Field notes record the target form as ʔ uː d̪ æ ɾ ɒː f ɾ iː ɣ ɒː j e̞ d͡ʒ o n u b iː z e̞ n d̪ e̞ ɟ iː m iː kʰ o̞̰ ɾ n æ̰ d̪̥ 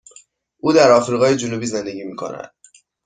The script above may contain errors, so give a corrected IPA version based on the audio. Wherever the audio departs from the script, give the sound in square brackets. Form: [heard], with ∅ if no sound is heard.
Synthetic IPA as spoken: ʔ uː d̪ æ ɾ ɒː f ɾ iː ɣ ɒː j e̞ d͡ʒ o n u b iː z e̞ n d̪ e̞ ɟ iː m iː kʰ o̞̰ [∅] n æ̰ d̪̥